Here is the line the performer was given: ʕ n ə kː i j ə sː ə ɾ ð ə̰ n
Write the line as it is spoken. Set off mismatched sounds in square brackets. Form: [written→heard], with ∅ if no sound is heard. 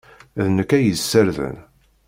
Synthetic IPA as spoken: [ʕ→ð] n ə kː [i→æ] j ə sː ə ɾ ð ə̰ n